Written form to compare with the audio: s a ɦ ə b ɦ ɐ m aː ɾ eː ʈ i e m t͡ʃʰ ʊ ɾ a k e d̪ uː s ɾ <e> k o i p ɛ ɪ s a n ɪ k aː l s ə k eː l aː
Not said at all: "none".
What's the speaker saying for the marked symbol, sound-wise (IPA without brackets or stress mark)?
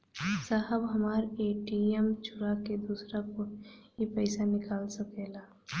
a